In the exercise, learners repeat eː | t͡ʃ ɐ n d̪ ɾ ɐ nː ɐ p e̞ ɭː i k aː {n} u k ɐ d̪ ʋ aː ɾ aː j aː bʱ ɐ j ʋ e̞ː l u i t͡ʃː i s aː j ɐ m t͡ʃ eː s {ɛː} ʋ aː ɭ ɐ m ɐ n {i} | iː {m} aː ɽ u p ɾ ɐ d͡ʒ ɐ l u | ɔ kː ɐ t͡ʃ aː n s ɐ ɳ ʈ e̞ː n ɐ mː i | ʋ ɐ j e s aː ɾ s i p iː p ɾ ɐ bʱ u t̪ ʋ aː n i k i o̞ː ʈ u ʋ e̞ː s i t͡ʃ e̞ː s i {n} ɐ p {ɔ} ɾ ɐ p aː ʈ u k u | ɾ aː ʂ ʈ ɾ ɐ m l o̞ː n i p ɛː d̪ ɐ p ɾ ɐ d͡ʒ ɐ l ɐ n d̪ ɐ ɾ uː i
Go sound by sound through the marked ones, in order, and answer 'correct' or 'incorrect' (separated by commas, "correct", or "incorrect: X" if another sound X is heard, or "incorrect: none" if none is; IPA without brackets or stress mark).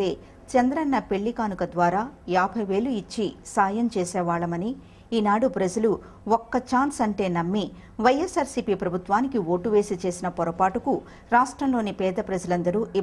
correct, correct, correct, incorrect: n, correct, correct